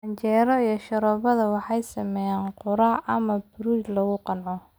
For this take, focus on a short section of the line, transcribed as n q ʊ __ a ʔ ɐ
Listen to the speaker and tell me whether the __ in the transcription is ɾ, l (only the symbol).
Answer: ɾ